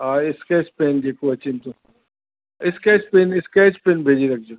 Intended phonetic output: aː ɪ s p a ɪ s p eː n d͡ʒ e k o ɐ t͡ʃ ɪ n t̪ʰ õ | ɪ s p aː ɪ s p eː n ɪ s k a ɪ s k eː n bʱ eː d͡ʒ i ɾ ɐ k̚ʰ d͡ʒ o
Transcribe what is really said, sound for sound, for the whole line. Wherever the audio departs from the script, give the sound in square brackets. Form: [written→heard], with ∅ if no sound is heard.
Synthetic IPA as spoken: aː ɪ s [p→k] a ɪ s p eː n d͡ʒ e k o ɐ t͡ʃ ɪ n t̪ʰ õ | ɪ s [p→k] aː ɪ s p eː n ɪ s k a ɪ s [k→p] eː n bʱ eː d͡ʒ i ɾ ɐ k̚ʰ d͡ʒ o

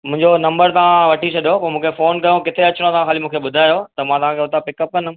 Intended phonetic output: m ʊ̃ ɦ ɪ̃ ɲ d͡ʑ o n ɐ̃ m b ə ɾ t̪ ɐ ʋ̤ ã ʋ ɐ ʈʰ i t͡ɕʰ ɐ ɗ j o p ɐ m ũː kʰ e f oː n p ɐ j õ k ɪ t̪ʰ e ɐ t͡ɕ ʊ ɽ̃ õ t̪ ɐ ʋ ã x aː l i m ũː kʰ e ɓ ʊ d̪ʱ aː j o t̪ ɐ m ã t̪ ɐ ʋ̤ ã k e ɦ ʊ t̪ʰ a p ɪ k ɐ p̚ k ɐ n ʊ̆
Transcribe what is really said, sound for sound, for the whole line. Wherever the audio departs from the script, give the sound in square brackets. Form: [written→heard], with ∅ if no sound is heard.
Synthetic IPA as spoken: m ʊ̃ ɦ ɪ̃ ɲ d͡ʑ o n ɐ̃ m b ə ɾ t̪ ɐ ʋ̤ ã ʋ ɐ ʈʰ i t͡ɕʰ ɐ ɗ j o p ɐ m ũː kʰ e f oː n [p→k] ɐ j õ k ɪ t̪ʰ e ɐ t͡ɕ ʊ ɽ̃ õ t̪ ɐ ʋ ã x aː l i m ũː kʰ e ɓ ʊ d̪ʱ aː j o t̪ ɐ m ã t̪ ɐ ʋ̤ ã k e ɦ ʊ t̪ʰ a p ɪ k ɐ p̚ k ɐ n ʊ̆

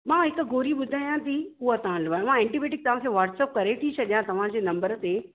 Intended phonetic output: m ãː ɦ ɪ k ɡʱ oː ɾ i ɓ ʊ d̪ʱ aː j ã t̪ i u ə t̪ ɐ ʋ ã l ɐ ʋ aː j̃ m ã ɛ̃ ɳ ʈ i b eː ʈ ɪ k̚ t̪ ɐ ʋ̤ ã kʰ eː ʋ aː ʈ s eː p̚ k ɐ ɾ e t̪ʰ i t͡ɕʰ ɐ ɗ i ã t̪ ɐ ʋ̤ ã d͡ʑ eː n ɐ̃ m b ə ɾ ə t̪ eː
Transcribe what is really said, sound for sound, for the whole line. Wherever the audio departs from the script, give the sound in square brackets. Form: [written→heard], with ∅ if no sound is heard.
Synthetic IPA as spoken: m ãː ɦ ɪ k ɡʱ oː ɾ i ɓ ʊ d̪ʱ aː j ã t̪ i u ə t̪ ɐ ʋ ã l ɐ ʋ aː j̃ m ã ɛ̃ ɳ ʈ i b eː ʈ ɪ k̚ t̪ ɐ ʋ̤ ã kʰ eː ʋ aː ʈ s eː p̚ k ɐ ɾ e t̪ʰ i t͡ɕʰ ɐ ɗ [i→j] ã t̪ ɐ ʋ̤ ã d͡ʑ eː n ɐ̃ m b ə ɾ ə t̪ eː

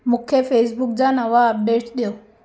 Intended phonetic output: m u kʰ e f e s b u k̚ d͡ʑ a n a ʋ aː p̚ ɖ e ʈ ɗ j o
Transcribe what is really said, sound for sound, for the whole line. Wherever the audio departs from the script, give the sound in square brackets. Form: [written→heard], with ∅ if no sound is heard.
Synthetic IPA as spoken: m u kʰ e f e s b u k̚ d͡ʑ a n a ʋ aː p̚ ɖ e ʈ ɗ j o

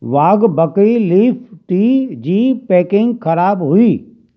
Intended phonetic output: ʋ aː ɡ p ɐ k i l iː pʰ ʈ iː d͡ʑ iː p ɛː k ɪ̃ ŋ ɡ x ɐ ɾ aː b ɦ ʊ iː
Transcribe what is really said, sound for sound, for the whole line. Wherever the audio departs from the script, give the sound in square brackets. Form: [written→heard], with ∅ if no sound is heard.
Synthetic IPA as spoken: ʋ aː ɡ [p→b] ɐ k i l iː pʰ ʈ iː d͡ʑ iː p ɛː k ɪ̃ ŋ ɡ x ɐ ɾ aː b ɦ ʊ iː

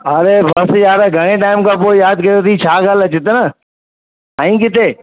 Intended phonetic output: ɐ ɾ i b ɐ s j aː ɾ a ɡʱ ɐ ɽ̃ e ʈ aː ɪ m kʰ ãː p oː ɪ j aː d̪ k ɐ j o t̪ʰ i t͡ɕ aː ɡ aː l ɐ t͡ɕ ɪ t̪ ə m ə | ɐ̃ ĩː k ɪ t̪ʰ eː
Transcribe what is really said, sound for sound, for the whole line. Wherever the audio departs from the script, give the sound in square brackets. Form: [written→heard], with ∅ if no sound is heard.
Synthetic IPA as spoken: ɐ ɾ [i→e] b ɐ s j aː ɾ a ɡʱ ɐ ɽ̃ e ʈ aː ɪ m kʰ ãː p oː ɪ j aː d̪ k ɐ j o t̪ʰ i [t͡ɕ→t͡ɕʰ] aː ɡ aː l ɐ t͡ɕ ɪ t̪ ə [m→n] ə | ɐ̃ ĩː k ɪ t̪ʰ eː

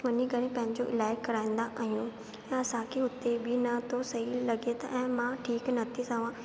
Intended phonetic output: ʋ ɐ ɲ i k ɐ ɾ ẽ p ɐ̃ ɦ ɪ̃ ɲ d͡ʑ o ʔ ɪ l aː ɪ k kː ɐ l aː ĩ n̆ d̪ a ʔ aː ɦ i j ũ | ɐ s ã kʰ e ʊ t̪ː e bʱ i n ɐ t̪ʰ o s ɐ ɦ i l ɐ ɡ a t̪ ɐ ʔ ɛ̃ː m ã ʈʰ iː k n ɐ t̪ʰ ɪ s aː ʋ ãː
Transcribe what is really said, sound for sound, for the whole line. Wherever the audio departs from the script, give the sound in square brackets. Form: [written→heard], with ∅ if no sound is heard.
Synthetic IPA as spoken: ʋ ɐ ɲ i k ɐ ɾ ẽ p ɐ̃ ɦ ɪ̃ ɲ d͡ʑ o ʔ ɪ l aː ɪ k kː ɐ [l→ɾ] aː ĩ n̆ d̪ a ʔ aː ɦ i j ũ | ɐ s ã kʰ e ʊ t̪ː e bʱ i n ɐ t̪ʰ o s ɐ ɦ i l ɐ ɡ [a→e] t̪ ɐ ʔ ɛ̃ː m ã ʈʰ iː k n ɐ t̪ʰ [ɪ→i] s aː ʋ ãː

